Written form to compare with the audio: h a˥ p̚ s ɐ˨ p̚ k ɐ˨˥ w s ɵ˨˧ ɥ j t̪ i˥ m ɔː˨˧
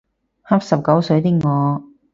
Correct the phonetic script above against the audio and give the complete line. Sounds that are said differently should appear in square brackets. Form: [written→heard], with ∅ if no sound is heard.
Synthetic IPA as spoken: h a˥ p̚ s ɐ˨ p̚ k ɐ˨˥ w s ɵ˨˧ ɥ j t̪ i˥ [m→ŋ] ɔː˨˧